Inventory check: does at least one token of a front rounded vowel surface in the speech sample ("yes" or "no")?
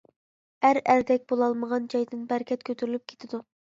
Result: yes